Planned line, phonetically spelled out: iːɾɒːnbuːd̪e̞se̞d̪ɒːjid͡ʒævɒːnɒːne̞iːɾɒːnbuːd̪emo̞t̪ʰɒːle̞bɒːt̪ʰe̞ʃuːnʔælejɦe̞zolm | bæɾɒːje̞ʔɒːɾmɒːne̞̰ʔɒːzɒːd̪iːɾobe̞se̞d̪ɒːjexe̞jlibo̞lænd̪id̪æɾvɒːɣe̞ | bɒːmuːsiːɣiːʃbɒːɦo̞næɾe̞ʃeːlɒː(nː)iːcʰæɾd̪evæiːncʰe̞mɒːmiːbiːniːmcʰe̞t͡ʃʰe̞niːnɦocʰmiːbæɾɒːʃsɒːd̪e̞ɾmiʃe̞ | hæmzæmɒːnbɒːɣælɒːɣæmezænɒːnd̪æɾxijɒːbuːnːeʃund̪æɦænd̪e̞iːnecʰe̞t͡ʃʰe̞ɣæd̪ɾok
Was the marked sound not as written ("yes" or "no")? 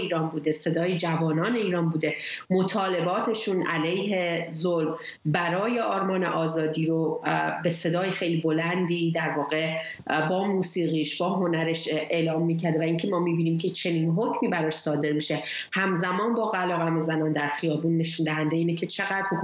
yes